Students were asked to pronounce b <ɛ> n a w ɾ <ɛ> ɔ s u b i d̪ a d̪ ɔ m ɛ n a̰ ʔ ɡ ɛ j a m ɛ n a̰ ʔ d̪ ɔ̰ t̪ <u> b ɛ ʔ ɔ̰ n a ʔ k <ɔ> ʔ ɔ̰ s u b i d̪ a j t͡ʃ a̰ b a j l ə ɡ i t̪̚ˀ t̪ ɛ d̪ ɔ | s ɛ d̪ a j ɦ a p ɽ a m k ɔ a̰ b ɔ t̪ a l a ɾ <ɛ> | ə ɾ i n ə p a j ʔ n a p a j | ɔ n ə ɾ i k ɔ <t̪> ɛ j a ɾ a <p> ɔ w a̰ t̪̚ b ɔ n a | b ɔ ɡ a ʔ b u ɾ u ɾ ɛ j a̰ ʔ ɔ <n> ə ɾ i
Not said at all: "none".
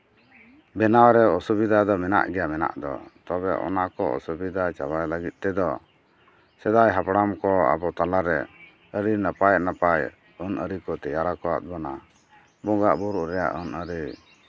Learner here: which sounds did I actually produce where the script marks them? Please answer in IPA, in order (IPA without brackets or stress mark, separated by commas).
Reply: ɛ, ɛ, ɔ, ɔ, ɛ, t̪, k, n